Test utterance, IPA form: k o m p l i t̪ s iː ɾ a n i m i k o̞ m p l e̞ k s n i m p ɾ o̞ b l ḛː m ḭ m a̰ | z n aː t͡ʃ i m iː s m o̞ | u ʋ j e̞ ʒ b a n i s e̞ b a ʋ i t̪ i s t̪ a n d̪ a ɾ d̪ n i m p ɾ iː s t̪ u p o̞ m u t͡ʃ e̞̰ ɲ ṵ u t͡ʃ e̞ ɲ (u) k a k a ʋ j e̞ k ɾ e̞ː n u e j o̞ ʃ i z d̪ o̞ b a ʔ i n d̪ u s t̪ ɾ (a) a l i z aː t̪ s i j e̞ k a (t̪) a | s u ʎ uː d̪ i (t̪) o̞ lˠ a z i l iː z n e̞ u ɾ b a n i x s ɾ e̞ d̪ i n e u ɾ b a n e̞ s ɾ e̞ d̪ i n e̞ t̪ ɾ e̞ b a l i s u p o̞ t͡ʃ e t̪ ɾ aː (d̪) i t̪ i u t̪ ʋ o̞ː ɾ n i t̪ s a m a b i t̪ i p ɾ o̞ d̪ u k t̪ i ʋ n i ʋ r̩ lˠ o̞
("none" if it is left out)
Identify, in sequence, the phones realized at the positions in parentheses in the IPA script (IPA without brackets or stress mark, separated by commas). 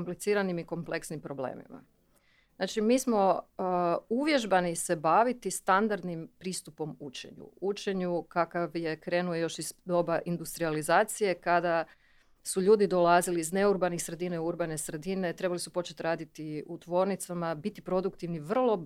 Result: u, i, d̪, d̪, d̪